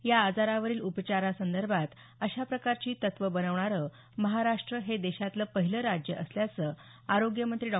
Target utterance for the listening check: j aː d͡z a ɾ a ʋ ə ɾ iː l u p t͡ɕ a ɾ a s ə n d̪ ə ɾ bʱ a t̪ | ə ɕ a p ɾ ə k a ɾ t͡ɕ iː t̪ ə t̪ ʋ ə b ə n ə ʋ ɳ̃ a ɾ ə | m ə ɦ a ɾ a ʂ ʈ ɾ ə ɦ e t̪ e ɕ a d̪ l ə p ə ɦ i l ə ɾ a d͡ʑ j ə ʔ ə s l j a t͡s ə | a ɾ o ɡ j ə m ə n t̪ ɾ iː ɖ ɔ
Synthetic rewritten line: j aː d͡z a ɾ a ʋ ə ɾ iː l u p t͡ɕ a ɾ a s ə n d̪ ə ɾ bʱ a t̪ | ə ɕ a p ɾ ə k a ɾ t͡ɕ iː t̪ ə t̪ ʋ ə b ə n ə ʋ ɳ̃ a ɾ ə | m ə ɦ a ɾ a ʂ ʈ ɾ ə ɦ e d̪ e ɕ a t̪ l ə p ə ɦ i l ə ɾ a d͡ʑ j ə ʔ ə s l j a t͡s ə | a ɾ o ɡ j ə m ə n t̪ ɾ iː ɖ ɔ